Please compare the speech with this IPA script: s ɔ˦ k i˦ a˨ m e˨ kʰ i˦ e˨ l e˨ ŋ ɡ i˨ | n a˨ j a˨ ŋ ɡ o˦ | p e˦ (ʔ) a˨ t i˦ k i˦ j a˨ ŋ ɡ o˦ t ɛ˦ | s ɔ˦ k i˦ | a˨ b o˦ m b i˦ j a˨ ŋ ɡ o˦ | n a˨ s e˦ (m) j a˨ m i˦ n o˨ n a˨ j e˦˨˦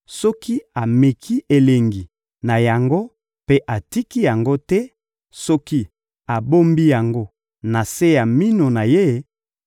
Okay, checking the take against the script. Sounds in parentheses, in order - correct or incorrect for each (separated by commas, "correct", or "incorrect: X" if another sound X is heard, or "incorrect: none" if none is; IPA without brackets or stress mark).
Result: correct, incorrect: none